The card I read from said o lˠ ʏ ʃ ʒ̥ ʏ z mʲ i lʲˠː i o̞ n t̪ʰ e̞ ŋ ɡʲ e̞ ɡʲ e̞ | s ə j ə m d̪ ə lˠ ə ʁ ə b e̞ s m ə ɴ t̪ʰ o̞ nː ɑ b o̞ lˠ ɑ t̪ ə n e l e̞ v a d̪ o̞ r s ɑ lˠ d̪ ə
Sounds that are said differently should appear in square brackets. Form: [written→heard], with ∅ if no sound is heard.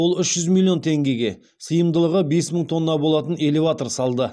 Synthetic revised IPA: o lˠ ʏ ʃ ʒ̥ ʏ z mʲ i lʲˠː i o̞ n t̪ʰ e̞ ŋ ɡʲ e̞ ɡʲ e̞ | s ə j ə m d̪ ə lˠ ə ʁ ə b e̞ s m ə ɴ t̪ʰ o̞ nː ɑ b o̞ lˠ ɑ t̪ ə n e l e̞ v a [d̪→t̪] o̞ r s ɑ lˠ d̪ ə